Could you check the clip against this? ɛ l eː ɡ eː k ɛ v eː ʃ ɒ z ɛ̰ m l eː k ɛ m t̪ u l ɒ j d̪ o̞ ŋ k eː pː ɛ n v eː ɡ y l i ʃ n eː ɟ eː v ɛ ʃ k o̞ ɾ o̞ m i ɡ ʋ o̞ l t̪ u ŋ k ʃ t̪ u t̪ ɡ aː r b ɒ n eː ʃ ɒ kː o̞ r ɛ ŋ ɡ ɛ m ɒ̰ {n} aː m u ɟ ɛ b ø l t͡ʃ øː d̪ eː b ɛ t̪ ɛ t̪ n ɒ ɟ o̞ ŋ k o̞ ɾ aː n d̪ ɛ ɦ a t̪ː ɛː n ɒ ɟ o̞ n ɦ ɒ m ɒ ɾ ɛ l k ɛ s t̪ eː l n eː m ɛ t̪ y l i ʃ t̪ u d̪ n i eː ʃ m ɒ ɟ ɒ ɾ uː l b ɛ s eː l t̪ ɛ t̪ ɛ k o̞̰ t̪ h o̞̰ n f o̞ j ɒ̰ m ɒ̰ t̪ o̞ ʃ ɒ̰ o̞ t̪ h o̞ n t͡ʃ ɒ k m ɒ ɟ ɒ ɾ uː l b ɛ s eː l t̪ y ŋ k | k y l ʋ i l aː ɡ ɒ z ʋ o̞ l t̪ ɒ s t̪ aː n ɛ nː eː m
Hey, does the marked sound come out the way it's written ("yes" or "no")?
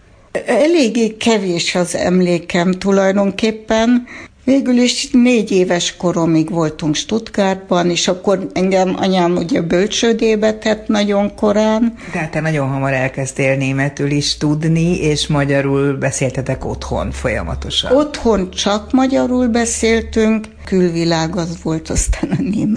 no